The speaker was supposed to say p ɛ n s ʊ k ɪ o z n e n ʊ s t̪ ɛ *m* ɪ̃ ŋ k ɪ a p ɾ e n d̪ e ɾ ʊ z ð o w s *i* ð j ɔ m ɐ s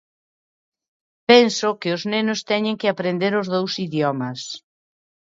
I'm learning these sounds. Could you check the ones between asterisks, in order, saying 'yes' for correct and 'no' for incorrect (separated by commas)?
no, yes